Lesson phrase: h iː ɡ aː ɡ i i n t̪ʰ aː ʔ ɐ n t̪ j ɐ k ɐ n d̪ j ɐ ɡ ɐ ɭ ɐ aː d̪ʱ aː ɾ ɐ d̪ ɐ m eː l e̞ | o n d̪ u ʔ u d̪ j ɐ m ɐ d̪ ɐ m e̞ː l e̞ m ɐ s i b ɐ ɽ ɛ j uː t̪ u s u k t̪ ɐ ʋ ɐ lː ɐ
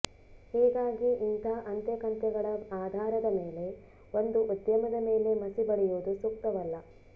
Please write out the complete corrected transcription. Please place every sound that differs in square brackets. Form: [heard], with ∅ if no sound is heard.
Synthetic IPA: h iː ɡ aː ɡ i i n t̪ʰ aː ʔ ɐ n t̪ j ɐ k ɐ n [t̪] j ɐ ɡ ɐ ɭ ɐ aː d̪ʱ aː ɾ ɐ d̪ ɐ m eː l e̞ | o n d̪ u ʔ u d̪ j ɐ m ɐ d̪ ɐ m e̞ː l e̞ m ɐ s i b ɐ ɽ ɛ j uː [d̪] u s u k t̪ ɐ ʋ ɐ lː ɐ